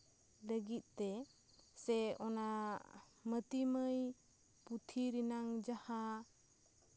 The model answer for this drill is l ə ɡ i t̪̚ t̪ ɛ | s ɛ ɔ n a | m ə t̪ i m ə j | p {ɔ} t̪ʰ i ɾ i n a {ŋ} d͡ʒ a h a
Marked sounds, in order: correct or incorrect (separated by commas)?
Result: incorrect, correct